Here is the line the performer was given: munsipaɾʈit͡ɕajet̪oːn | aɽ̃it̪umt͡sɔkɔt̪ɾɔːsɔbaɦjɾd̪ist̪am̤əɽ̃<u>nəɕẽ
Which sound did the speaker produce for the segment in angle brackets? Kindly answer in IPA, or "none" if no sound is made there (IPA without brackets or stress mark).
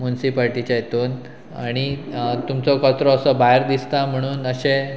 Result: uː